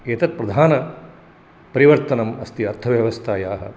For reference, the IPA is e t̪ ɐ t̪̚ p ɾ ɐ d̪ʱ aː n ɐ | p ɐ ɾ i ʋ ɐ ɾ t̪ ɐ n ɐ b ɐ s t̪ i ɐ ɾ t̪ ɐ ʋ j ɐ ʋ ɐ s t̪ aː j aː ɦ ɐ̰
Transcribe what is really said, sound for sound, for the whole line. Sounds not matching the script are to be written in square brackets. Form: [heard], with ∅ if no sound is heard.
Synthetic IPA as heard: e t̪ ɐ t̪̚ p ɾ ɐ d̪ʱ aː n ɐ | p ɐ ɾ i ʋ ɐ ɾ t̪ ɐ n ɐ [m] ɐ s t̪ i ɐ ɾ [t̪ʰ] ɐ ʋ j ɐ ʋ ɐ s [t̪ʰ] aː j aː ɦ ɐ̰